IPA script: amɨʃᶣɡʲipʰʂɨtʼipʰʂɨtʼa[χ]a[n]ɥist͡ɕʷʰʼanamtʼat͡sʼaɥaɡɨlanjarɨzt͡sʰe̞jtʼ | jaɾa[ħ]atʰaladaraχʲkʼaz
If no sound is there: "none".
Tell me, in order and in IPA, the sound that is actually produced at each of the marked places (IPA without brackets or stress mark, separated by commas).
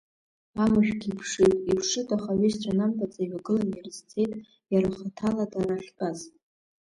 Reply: χ, none, χ